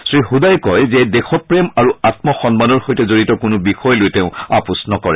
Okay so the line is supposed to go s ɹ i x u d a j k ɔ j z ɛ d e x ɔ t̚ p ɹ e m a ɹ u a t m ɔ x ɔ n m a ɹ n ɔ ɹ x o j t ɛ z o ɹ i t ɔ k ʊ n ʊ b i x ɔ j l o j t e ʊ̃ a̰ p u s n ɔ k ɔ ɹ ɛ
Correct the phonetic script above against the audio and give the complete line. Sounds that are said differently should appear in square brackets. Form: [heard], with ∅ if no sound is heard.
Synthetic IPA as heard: s ɹ i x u d a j k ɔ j z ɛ d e x ɔ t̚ p ɹ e m a ɹ u a t m ɔ x ɔ n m a [∅] n ɔ ɹ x o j t ɛ z o ɹ i t ɔ k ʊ n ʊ b i x ɔ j l o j t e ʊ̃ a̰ p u s n ɔ k ɔ ɹ ɛ